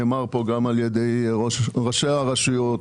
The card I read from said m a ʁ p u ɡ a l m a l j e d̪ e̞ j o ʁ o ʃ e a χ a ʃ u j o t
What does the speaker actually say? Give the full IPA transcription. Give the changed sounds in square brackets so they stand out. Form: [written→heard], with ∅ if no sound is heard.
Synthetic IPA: m a ʁ p [u→o] ɡ a [l→∅] m a l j e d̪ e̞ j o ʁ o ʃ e a [χ→ʁ] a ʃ u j o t